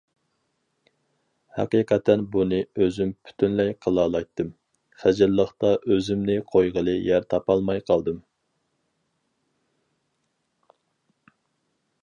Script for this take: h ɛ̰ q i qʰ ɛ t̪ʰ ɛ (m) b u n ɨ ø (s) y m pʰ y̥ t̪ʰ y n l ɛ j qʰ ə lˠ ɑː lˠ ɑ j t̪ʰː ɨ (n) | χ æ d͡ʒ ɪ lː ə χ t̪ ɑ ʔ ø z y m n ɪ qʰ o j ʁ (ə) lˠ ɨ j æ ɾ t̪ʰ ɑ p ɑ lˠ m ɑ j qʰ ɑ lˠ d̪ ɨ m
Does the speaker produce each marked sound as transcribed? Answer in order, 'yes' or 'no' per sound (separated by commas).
no, no, no, yes